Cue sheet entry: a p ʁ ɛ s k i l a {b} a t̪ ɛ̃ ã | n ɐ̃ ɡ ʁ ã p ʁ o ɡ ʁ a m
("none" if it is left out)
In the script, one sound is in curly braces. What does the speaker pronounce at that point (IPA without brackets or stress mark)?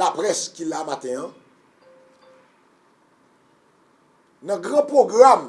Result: m